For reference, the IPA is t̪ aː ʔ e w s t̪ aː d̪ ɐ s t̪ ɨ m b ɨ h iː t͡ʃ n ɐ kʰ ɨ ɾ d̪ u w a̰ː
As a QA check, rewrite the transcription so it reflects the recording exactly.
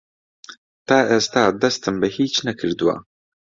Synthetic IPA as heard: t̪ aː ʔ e s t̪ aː d̪ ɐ s t̪ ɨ m b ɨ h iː t͡ʃ n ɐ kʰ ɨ ɾ d̪ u w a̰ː